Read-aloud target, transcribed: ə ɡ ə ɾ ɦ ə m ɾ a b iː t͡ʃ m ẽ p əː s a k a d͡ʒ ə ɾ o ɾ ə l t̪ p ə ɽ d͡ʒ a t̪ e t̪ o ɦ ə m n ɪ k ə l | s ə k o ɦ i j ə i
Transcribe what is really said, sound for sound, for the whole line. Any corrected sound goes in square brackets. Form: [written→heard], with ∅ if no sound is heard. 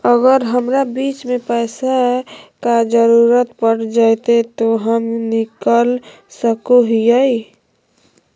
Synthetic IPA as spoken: ə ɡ ə ɾ ɦ ə m ɾ a b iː t͡ʃ m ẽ p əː s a k a d͡ʒ ə ɾ [o→u] ɾ ə [l→∅] t̪ p ə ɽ d͡ʒ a t̪ e t̪ o ɦ ə m n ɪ k ə l | s ə k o ɦ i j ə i